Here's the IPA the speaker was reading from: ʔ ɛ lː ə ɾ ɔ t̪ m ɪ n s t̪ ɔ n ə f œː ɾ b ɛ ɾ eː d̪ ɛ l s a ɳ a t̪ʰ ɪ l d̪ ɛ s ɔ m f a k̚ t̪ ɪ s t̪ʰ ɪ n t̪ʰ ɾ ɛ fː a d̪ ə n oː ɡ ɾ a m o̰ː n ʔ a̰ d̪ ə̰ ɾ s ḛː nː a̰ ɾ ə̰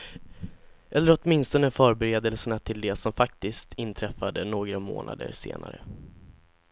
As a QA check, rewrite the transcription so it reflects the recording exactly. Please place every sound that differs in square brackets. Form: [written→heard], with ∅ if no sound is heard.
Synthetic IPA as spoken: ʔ ɛ lː ə ɾ ɔ t̪ m ɪ n s t̪ ɔ n ə f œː ɾ b ɛ ɾ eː d̪ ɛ l s [a→ə] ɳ a t̪ʰ ɪ l d̪ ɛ s ɔ m f a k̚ t̪ ɪ s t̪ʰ ɪ n t̪ʰ ɾ ɛ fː a d̪ ə n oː ɡ ɾ a m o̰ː n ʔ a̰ d̪ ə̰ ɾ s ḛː [nː→n] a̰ ɾ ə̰